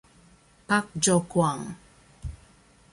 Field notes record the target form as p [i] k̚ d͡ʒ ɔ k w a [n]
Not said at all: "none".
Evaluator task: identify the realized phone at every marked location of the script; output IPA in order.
a, ŋ

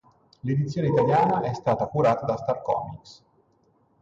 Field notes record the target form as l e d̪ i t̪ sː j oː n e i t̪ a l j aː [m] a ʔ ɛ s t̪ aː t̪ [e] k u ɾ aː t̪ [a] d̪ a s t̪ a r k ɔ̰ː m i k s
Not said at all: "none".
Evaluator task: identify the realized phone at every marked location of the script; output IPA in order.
n, a, a

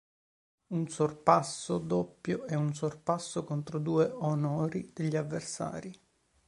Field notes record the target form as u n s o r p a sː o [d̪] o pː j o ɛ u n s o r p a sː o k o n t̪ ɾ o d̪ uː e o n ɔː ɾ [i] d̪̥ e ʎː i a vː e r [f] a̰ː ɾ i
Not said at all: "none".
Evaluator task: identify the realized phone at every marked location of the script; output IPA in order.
d̪, i, s

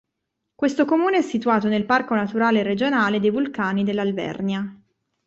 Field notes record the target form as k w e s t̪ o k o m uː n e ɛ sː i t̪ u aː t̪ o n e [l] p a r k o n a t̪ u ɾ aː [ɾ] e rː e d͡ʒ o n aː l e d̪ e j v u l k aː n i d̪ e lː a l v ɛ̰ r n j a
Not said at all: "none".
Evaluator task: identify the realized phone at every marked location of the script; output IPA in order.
l, l

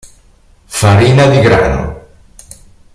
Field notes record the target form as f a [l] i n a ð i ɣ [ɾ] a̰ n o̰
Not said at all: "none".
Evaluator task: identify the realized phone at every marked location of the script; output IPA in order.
ɾ, ɾ

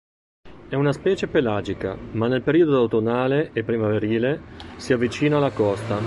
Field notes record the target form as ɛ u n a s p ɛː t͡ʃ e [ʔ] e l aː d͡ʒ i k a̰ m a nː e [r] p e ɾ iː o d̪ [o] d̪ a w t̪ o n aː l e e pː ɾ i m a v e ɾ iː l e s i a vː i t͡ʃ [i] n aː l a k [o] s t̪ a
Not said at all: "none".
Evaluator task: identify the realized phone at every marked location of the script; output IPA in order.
p, l, o, iː, ɔ

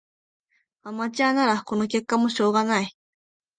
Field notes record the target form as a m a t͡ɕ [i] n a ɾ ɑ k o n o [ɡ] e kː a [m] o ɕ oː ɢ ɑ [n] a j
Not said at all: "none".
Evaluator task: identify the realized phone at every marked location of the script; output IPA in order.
a, k, m, n

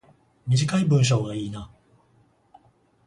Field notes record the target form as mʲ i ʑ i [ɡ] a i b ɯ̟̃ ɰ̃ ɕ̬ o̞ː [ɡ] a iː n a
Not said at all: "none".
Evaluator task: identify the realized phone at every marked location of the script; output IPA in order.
k, ɡ

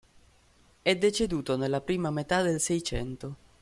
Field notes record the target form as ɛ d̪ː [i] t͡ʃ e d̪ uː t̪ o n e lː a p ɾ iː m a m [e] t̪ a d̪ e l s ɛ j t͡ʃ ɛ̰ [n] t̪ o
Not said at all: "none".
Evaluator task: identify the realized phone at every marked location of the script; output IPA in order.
e, e, n

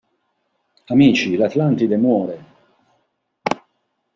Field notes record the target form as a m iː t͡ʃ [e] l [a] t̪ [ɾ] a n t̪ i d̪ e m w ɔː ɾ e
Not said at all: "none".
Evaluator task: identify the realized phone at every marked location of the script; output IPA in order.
i, a, l

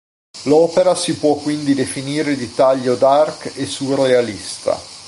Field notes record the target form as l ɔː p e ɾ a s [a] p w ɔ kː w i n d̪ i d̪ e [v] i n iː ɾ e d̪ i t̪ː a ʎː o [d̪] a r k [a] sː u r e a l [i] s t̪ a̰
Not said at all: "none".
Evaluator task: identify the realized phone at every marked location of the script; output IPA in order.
i, f, d̪, e, i

